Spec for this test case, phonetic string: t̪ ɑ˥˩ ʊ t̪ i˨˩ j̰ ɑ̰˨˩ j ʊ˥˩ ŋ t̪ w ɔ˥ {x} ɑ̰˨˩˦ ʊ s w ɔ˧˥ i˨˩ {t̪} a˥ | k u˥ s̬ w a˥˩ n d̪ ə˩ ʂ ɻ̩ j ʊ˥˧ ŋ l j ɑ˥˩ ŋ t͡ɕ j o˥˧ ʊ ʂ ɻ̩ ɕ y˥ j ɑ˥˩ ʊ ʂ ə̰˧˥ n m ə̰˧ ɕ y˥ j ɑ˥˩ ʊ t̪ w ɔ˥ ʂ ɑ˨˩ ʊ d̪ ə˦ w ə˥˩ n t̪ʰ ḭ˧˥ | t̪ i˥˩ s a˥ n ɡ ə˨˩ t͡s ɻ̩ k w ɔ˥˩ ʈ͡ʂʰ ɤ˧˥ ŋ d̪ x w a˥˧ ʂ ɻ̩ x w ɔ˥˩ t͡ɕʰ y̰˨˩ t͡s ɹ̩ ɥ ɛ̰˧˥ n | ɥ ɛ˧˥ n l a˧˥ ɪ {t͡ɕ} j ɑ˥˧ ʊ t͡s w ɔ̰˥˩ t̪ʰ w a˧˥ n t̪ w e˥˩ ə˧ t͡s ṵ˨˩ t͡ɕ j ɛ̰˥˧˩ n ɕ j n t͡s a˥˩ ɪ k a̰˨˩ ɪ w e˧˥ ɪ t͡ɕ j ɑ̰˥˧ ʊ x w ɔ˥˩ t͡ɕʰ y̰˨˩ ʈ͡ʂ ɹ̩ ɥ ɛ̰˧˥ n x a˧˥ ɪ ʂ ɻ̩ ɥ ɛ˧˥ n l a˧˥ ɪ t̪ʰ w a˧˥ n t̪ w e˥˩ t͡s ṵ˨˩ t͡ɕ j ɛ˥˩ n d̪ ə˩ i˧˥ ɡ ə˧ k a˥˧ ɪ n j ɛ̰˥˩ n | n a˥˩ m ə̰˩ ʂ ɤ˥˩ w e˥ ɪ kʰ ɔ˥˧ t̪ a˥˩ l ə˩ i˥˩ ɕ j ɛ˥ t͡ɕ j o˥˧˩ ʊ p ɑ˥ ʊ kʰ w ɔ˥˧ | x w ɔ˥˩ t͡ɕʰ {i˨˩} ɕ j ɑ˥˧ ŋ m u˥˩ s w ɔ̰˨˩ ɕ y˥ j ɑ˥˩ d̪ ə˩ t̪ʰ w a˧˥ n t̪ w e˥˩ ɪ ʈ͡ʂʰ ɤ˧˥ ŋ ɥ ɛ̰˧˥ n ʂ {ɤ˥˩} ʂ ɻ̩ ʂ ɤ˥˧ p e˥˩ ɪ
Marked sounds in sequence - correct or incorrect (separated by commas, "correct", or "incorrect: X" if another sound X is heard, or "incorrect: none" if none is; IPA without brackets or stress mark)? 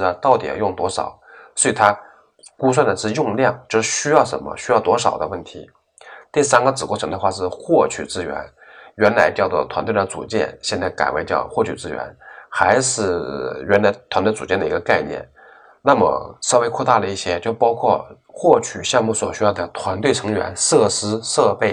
incorrect: ʂ, incorrect: t̪ʰ, correct, incorrect: y˨˩, correct